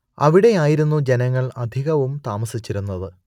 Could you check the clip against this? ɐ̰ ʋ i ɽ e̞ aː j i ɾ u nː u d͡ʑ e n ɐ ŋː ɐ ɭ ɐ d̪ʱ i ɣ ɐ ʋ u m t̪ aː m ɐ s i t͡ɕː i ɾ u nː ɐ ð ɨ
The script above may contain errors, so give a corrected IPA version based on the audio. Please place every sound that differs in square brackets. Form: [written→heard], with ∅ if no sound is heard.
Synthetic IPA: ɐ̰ ʋ i ɽ e̞ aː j i ɾ u nː u d͡ʑ e n ɐ ŋː ɐ ɭ ɐ d̪ʱ i ɣ ɐ ʋ u m t̪ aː m ɐ s i t͡ɕː i ɾ u nː ɐ ð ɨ